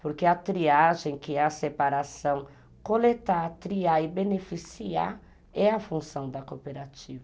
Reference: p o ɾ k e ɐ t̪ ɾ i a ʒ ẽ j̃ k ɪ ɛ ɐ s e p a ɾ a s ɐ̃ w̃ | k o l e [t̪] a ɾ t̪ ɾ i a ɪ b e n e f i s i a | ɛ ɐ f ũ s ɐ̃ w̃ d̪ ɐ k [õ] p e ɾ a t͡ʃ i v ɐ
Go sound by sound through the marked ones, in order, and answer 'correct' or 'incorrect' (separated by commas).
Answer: correct, incorrect